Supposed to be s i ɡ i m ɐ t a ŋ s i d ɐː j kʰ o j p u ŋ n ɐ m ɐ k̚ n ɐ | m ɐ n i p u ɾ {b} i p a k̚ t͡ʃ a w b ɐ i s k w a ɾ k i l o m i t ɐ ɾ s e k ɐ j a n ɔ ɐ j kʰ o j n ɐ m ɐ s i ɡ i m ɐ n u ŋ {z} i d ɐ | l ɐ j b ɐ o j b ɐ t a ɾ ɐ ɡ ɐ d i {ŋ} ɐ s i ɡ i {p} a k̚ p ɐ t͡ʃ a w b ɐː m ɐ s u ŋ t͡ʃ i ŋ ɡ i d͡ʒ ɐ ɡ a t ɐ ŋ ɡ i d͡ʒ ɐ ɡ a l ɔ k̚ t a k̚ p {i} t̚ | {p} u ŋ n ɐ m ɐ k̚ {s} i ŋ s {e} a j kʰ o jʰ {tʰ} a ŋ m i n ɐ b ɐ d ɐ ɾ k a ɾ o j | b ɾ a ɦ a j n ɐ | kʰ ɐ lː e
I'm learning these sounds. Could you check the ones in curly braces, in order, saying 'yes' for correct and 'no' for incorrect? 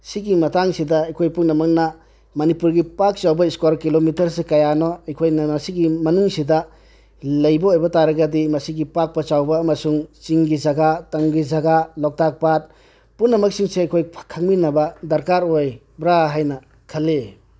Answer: no, no, no, yes, no, yes, yes, yes, no

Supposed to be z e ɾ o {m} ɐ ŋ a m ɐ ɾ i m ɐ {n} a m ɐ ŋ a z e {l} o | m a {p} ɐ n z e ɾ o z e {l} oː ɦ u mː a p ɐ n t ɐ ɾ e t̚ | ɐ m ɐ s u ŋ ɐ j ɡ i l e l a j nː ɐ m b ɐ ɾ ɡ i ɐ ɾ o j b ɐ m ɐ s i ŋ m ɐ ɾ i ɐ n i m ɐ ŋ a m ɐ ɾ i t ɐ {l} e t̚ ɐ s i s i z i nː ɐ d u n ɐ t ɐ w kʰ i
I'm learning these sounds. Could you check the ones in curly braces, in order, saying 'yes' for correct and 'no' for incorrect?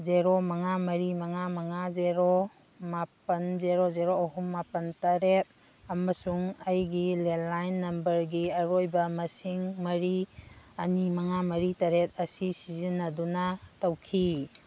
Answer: yes, no, no, yes, no, no

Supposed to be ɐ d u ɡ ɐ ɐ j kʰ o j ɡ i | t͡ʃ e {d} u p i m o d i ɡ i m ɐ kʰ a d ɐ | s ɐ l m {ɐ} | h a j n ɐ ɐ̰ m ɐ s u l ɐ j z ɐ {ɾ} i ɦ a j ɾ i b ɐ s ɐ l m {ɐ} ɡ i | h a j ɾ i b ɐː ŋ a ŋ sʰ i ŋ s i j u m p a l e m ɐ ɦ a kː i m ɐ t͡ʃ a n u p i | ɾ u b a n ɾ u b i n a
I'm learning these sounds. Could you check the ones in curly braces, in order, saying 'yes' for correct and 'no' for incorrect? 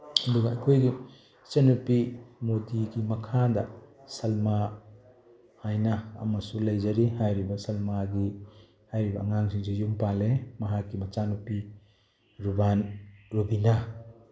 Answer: no, no, yes, no

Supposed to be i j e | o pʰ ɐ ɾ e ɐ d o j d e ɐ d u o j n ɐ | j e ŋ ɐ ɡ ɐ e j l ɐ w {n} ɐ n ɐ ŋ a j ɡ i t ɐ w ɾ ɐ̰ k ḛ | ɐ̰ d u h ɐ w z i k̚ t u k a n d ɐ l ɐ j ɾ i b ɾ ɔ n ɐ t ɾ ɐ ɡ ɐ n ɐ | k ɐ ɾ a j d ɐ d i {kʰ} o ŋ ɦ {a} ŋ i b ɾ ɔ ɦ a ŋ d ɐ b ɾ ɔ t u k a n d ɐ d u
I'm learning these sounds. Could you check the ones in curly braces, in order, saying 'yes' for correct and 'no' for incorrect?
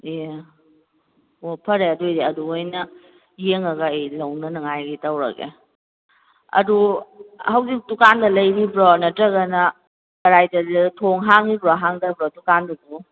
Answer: yes, no, yes

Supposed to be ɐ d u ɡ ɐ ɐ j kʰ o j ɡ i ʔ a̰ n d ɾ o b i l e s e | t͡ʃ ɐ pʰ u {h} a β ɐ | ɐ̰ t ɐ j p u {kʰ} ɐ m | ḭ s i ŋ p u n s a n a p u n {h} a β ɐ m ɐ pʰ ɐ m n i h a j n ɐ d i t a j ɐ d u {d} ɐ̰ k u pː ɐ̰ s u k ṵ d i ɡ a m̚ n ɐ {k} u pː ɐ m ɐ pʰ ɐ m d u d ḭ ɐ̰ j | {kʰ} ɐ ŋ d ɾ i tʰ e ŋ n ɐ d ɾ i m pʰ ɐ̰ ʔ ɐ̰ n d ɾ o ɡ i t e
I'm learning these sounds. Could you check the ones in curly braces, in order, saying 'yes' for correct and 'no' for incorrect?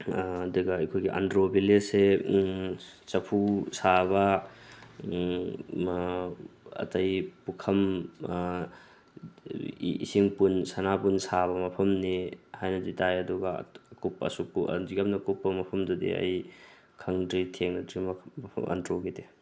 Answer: no, yes, no, no, yes, yes

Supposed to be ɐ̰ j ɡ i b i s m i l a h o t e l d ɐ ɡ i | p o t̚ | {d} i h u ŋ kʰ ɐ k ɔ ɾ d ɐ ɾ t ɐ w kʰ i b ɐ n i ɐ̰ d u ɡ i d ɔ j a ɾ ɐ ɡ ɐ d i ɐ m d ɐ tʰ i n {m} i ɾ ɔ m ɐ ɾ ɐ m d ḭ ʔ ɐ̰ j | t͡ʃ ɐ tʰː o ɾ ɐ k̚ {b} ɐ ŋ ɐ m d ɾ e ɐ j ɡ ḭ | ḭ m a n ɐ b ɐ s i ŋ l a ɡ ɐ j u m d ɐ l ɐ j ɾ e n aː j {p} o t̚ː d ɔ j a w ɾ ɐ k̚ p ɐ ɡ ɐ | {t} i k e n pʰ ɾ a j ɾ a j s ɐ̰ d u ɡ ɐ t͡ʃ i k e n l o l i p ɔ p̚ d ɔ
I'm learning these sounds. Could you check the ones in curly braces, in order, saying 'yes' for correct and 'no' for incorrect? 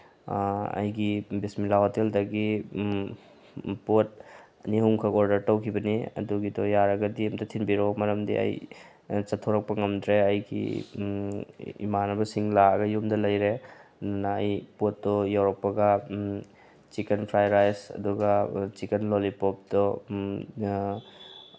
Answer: no, no, no, yes, no

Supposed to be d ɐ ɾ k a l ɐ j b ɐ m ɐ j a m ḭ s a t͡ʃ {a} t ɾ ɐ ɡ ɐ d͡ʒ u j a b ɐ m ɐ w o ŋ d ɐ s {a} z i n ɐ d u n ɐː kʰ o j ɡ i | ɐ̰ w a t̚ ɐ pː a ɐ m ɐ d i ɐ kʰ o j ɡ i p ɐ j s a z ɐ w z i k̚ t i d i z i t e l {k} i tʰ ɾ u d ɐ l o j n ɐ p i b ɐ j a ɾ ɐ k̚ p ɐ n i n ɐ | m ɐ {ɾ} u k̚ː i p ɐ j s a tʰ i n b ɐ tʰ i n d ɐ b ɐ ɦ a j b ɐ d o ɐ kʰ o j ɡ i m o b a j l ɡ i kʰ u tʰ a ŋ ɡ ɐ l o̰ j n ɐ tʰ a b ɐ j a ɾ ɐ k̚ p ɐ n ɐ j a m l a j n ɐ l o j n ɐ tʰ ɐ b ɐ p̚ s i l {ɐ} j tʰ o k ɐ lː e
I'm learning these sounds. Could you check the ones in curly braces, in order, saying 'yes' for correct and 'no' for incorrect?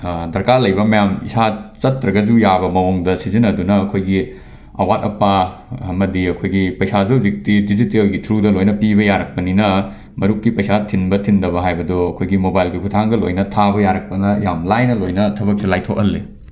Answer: no, no, no, yes, no

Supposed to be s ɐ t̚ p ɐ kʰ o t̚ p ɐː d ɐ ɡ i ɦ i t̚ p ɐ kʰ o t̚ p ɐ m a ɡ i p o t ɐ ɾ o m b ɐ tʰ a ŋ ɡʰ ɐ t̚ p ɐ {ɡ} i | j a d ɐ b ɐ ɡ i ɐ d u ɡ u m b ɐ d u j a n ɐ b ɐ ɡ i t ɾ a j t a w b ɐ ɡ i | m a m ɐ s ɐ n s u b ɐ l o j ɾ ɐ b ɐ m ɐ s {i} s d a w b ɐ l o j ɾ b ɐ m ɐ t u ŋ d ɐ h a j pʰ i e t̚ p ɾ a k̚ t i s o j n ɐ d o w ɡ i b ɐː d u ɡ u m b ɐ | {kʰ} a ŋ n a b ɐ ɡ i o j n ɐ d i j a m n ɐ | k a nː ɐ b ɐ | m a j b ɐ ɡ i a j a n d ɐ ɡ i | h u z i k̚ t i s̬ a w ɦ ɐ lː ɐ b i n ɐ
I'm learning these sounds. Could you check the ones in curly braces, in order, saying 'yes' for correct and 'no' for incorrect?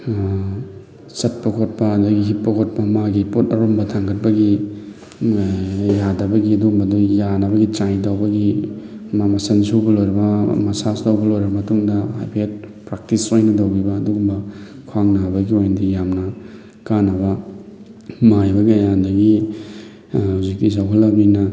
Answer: yes, no, yes

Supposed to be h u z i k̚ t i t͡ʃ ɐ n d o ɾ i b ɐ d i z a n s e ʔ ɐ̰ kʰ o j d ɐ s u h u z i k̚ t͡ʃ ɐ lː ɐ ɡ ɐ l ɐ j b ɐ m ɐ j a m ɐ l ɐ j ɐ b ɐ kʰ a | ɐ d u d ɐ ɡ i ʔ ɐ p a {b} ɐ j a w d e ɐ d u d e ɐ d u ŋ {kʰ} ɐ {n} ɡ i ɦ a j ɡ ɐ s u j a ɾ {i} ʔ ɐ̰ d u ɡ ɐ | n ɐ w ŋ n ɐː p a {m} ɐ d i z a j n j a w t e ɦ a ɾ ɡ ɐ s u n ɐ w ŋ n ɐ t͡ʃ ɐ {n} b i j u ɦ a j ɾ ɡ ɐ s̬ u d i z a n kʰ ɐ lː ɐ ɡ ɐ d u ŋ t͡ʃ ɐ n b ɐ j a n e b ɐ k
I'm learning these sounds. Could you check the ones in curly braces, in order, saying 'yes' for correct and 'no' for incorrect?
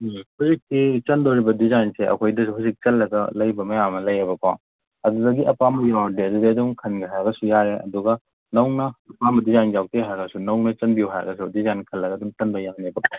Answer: no, yes, yes, no, yes, yes

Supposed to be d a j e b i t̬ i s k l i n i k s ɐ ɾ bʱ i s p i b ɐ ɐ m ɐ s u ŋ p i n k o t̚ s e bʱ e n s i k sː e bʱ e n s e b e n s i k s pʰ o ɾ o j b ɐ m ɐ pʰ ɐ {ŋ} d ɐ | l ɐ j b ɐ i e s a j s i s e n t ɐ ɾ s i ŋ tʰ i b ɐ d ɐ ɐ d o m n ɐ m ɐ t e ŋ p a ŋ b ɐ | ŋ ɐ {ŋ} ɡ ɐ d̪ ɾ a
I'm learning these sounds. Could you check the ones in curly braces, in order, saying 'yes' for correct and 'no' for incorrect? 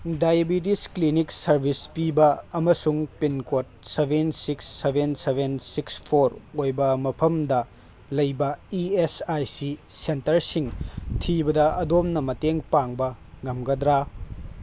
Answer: no, no

